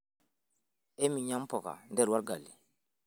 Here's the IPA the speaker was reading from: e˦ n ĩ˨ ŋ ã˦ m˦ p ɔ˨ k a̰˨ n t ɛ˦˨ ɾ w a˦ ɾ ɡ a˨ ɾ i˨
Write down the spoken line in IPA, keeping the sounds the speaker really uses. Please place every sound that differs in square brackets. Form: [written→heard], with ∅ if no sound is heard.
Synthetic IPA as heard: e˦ [n→m] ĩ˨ [ŋ→ɲ] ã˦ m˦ p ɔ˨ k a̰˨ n [t→d] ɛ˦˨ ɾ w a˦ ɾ ɡ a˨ [ɾ→l] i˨